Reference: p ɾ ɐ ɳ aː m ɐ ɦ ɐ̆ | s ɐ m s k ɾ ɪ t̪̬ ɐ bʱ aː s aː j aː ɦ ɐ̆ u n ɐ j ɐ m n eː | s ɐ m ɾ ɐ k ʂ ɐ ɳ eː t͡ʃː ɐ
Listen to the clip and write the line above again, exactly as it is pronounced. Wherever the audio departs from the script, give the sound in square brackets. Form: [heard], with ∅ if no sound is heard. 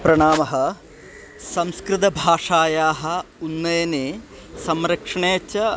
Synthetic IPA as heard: p ɾ ɐ ɳ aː m ɐ ɦ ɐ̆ | s ɐ m s k ɾ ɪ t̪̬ ɐ bʱ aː [ʂ] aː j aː ɦ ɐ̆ u [nː] ɐ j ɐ [∅] n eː | s ɐ m ɾ ɐ k ʂ ɐ ɳ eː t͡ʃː ɐ